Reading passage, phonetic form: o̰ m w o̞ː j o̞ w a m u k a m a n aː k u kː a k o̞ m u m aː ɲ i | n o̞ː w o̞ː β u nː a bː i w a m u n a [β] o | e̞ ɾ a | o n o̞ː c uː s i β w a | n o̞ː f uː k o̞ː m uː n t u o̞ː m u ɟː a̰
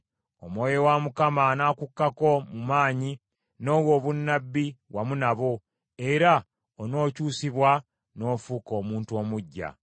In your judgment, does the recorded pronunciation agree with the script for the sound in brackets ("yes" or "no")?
yes